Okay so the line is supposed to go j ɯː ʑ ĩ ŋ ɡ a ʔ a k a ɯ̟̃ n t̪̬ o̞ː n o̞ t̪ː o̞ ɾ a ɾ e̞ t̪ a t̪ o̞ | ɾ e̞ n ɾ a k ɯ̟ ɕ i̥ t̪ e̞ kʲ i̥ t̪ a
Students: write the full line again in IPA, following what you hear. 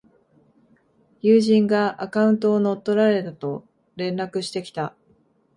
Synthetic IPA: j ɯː ʑ ĩ ŋ ɡ a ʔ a k a ɯ̟̃ n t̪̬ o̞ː n o̞ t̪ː o̞ ɾ a ɾ e̞ t̪ a t̪ o̞ | ɾ ẽ̞ n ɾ a k ɯ̟ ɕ i̥ t̪ e̞ kʲ i̥ t̪ a